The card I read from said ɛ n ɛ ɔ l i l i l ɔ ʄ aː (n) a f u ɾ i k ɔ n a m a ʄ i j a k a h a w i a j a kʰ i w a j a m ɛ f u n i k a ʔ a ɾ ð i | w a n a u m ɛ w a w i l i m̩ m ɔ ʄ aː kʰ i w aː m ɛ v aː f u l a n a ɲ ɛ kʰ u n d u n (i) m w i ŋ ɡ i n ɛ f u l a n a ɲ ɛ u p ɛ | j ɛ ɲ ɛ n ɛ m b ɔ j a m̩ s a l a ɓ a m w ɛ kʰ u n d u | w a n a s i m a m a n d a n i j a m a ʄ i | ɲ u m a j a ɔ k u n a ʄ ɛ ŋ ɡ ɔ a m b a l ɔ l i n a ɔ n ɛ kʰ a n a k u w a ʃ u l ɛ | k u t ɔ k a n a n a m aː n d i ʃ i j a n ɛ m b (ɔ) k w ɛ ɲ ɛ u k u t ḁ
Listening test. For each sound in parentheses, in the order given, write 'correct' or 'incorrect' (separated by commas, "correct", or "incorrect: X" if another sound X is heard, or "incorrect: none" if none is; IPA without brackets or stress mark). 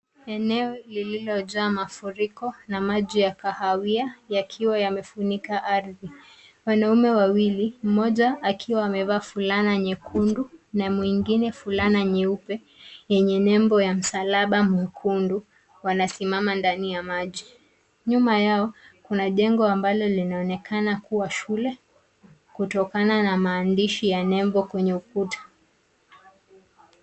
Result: incorrect: m, incorrect: a, correct